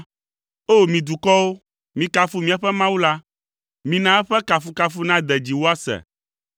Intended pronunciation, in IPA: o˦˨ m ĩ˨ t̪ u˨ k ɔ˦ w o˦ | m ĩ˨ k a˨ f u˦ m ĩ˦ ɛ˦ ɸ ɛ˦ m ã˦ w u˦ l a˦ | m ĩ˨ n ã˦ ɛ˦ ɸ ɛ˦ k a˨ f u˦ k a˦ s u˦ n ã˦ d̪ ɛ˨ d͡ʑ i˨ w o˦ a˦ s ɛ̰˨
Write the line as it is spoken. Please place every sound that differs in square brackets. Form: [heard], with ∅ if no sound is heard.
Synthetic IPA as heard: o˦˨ m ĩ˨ [d̪] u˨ k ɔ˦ w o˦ | m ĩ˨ k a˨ f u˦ m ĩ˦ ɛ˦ ɸ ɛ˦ m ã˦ w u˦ l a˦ | m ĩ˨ n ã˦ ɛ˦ ɸ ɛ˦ k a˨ f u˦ k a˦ [f] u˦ n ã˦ d̪ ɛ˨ d͡ʑ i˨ w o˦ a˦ s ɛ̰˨